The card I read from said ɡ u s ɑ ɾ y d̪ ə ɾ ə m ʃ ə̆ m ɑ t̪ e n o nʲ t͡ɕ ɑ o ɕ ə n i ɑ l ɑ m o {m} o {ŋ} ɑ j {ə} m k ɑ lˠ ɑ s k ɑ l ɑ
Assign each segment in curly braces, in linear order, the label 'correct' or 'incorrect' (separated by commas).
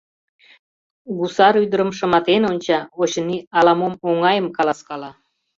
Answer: correct, correct, correct